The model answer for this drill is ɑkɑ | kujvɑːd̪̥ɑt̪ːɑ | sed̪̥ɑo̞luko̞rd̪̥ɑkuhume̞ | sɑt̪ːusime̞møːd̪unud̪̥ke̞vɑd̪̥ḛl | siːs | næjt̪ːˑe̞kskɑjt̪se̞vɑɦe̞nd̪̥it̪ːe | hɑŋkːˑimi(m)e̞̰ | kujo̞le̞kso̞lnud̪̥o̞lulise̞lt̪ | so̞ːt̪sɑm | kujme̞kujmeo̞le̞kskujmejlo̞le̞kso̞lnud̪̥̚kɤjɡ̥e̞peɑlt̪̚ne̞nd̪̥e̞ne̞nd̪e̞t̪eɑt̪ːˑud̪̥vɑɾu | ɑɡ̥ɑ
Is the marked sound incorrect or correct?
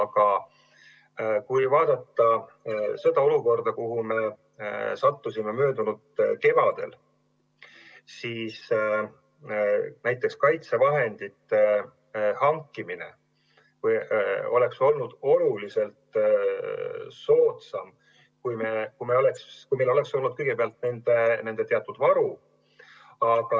incorrect: n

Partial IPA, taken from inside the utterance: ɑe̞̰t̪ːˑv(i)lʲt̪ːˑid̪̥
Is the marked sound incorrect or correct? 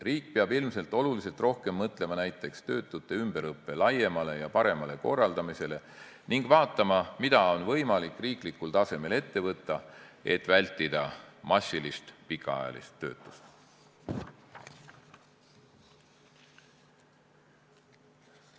incorrect: æ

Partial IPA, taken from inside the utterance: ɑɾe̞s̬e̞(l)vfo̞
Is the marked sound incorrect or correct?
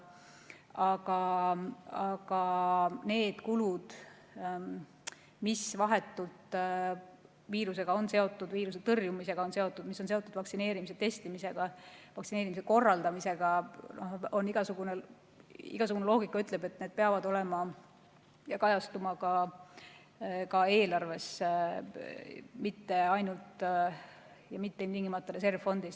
incorrect: r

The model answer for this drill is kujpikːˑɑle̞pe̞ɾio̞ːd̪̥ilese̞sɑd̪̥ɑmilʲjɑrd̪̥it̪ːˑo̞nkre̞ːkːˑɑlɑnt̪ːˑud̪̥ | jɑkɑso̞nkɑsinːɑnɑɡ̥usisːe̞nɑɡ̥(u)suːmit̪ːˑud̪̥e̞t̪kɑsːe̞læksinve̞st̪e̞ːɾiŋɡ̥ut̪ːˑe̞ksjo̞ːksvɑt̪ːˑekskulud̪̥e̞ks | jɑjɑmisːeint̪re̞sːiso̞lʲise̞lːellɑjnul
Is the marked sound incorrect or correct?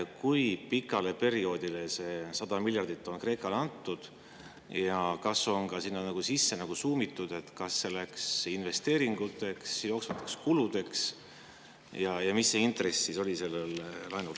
correct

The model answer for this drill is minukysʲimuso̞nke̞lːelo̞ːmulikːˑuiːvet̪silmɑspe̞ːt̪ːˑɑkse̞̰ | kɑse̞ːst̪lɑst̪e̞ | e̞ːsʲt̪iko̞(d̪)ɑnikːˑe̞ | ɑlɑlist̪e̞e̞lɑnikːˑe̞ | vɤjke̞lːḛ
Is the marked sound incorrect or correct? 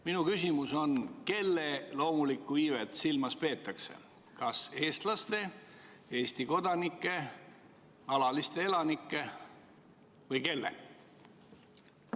correct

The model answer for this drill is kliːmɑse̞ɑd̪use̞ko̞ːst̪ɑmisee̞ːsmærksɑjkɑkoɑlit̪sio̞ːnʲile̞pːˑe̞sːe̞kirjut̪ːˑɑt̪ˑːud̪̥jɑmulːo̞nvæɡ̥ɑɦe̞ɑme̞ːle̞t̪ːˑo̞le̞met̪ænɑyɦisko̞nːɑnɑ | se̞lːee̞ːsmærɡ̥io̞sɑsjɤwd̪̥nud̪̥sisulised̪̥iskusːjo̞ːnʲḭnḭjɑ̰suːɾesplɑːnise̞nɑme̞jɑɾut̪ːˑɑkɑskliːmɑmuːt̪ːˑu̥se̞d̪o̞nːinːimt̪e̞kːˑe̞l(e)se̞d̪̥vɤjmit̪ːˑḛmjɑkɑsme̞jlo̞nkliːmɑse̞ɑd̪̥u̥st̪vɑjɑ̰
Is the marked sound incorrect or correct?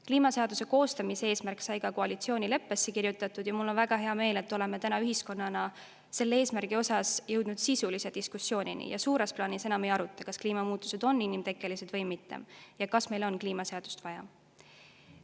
incorrect: i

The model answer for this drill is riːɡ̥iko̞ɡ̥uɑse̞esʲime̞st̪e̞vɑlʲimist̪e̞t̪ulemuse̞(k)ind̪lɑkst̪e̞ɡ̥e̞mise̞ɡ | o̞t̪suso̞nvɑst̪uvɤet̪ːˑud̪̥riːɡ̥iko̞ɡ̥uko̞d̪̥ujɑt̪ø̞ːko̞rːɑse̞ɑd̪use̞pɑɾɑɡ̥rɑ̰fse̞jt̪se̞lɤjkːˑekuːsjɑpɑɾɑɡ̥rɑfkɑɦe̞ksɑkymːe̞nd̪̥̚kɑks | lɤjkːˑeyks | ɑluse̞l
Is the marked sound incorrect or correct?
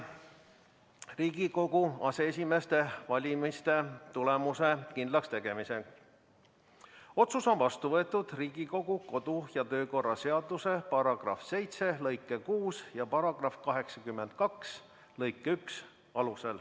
correct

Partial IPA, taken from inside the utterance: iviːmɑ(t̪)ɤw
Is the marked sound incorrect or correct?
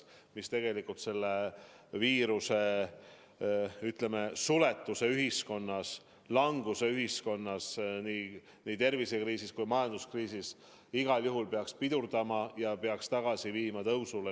correct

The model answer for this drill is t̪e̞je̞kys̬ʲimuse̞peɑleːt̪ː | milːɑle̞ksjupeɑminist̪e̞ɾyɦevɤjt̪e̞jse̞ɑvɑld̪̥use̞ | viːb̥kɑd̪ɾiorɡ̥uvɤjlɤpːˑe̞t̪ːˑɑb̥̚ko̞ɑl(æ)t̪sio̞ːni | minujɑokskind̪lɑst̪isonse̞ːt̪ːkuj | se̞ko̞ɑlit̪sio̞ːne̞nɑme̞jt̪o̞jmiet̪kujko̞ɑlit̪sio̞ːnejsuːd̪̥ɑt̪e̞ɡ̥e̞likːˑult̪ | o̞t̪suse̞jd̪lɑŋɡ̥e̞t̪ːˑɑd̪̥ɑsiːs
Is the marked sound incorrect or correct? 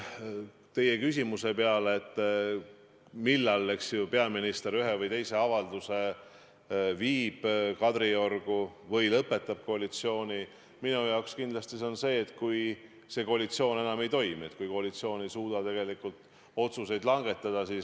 incorrect: i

